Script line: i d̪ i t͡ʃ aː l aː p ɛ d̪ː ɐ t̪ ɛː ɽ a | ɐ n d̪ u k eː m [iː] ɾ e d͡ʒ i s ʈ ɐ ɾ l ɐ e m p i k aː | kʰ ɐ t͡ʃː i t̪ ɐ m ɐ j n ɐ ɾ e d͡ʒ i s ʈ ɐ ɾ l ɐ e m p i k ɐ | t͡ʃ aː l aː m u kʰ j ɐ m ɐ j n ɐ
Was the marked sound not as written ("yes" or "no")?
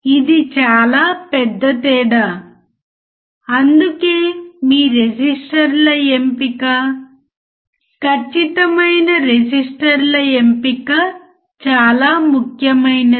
no